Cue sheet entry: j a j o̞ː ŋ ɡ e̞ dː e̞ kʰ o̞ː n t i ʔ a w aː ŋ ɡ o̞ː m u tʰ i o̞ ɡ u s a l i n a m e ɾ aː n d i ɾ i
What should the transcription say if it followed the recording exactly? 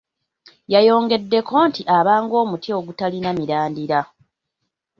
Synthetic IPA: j a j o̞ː ŋ ɡ e̞ dː e̞ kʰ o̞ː n t i ʔ a β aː ŋ ɡ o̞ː m u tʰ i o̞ ɡ u t a l i n a m i ɾ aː n d i ɾ a